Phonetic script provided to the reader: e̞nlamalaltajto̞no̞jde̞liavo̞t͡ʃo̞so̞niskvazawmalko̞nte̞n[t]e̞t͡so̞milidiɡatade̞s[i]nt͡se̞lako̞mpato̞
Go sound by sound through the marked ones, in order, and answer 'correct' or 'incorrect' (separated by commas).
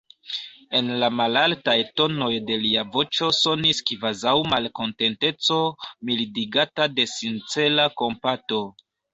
correct, correct